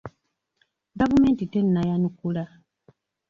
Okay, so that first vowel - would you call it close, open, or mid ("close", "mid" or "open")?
open